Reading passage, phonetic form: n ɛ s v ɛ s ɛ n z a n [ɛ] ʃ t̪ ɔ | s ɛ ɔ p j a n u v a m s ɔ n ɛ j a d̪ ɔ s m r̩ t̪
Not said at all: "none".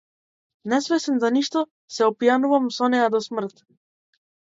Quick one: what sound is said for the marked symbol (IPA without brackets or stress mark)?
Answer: i